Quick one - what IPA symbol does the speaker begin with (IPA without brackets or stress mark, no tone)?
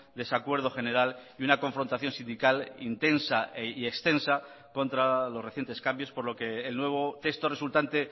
d̪